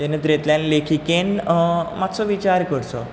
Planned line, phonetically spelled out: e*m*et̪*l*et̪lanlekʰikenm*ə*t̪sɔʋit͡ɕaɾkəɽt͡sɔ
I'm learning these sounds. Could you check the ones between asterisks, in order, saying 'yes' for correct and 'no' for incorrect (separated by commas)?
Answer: no, no, no